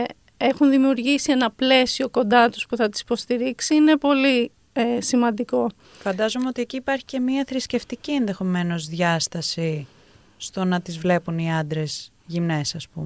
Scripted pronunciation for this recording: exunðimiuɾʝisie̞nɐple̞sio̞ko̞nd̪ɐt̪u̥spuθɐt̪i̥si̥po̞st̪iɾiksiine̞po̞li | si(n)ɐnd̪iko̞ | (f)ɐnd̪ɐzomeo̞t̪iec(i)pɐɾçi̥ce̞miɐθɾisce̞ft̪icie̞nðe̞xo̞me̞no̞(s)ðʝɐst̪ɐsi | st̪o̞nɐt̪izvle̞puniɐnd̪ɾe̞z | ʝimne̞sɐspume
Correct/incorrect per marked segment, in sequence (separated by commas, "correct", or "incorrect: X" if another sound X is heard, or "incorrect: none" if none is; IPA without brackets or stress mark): incorrect: m, correct, incorrect: iː, incorrect: z